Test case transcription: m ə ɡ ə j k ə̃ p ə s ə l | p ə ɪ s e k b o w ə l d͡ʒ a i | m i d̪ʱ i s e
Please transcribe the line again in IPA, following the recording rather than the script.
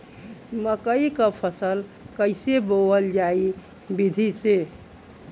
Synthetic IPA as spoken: m ə k ə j k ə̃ pʰ ə s ə l | k ə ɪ s e b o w ə l d͡ʒ a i | b i d̪ʱ i s e